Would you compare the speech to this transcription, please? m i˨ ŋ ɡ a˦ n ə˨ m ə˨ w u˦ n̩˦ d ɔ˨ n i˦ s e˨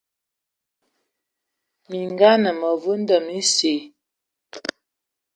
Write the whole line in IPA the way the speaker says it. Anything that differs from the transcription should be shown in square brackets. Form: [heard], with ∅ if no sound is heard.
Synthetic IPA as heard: m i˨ ŋ ɡ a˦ n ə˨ m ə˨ [v] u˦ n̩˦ d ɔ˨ [m] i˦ s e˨